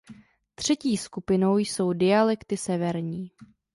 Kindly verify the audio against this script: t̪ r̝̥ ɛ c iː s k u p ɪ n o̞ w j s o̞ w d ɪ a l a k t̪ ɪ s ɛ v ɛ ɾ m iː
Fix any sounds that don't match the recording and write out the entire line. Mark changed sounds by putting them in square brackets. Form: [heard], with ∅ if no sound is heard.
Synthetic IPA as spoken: t̪ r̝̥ ɛ c iː s k u p ɪ n o̞ w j s o̞ w d ɪ a l [ɛ] k t̪ ɪ s ɛ v ɛ ɾ [ɲ] iː